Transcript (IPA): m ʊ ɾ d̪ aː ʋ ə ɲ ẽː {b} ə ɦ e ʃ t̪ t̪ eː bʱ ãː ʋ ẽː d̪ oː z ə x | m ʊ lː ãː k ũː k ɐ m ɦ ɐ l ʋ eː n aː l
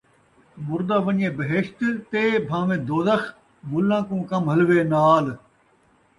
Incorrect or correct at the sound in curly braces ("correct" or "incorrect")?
correct